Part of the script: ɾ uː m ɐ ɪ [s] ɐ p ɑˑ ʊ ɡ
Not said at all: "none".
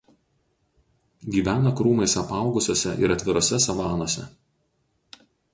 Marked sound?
s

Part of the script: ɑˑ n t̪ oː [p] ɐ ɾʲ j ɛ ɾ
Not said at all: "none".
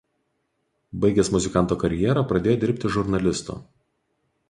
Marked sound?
k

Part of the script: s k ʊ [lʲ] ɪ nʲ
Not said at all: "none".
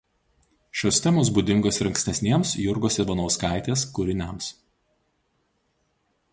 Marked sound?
ɾʲ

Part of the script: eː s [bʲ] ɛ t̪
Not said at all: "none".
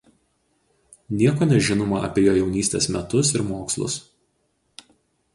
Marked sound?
mʲ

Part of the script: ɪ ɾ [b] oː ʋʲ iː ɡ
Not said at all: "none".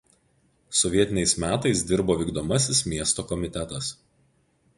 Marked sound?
b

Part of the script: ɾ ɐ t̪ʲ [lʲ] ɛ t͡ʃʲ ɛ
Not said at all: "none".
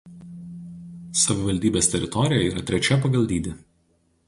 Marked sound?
ɾʲ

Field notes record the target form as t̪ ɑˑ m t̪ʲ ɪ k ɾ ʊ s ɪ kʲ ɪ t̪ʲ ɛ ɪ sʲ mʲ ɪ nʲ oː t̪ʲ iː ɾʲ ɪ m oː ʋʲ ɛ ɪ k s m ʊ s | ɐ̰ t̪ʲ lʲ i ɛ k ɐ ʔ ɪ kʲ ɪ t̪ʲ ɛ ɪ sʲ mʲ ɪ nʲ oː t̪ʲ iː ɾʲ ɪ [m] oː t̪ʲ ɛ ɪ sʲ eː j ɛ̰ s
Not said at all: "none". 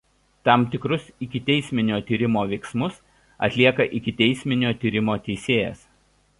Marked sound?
m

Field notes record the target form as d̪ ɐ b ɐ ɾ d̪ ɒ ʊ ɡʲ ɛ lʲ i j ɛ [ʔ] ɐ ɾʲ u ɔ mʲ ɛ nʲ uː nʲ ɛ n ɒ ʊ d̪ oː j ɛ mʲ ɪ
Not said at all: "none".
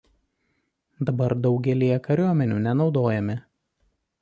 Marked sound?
k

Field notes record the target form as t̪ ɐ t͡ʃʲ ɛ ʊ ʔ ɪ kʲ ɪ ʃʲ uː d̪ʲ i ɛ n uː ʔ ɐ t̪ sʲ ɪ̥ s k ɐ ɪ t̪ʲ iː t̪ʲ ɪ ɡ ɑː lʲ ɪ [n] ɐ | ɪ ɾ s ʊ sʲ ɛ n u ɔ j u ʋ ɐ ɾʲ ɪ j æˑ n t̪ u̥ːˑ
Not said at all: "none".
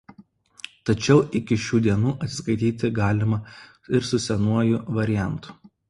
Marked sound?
m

